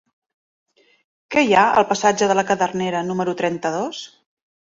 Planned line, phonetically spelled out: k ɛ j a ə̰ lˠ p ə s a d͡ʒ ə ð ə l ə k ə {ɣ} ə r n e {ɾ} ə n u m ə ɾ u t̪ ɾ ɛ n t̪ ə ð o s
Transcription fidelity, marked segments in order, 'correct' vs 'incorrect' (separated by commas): incorrect, correct